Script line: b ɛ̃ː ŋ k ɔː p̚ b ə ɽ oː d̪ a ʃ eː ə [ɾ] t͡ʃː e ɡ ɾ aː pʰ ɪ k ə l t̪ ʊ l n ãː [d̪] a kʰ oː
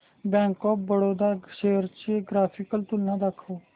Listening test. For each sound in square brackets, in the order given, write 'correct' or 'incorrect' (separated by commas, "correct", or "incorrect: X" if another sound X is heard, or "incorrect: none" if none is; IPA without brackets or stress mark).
correct, correct